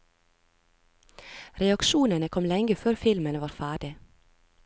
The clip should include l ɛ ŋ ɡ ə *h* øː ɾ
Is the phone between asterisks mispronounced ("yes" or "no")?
yes